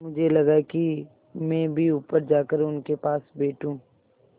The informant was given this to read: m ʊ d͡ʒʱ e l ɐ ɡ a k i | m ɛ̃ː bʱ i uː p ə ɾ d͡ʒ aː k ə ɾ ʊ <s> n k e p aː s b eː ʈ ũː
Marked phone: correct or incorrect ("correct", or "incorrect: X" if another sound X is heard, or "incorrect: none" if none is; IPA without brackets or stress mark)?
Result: incorrect: none